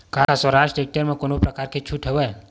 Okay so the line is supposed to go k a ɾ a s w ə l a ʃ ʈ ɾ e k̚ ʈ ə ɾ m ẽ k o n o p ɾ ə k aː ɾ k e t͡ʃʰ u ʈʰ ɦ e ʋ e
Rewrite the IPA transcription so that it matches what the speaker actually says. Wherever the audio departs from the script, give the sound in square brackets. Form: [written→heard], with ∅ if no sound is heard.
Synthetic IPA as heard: k a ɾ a s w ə [l→ɾ] a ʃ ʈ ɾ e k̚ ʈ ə ɾ m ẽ k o n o p ɾ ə k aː ɾ k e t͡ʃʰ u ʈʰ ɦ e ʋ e